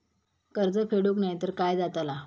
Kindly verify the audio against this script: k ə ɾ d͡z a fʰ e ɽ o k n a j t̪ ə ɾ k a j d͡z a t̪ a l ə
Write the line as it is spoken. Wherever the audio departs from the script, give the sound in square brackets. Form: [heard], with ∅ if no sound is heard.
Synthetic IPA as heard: k ə ɾ d͡z [ə] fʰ e ɽ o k n a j t̪ ə ɾ k a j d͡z a t̪ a l [a]

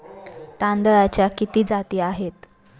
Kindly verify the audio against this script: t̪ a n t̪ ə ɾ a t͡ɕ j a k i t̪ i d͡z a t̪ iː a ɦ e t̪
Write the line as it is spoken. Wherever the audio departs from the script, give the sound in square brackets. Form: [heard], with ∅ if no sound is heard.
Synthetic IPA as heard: t̪ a n [d̪] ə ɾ a t͡ɕ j a k i t̪ [iː] d͡z a t̪ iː a ɦ e t̪

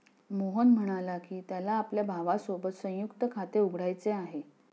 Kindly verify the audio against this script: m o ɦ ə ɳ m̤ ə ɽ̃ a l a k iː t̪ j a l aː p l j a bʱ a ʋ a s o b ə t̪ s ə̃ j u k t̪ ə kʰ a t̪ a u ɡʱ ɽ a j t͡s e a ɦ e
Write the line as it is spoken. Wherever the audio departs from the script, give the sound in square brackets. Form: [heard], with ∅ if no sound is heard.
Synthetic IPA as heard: m o ɦ ə [n] m̤ ə ɽ̃ a l a k iː t̪ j a l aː p l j a bʱ a ʋ a s o b ə t̪ s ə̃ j u k t̪ ə kʰ a t̪ [e] u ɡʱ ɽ a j t͡s e a ɦ e

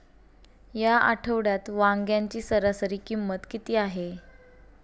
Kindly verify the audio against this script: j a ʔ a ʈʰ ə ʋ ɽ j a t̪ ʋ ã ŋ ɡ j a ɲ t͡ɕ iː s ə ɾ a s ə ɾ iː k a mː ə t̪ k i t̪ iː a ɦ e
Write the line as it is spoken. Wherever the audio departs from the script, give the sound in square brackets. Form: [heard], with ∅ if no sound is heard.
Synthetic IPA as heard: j a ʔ a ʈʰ ə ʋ ɽ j a t̪ ʋ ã ŋ ɡ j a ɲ t͡ɕ iː s ə ɾ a s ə ɾ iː k [i] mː ə t̪ k i t̪ iː a ɦ e

